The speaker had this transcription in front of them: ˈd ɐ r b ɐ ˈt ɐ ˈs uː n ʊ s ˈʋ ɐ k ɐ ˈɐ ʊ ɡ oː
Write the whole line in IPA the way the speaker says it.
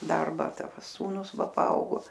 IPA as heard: ˈd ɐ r b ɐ ˈt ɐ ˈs uː n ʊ s ˈʋ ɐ p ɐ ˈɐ ʊ ɡ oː